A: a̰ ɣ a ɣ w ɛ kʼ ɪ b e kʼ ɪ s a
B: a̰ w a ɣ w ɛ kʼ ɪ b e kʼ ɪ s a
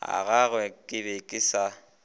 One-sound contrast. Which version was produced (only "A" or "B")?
A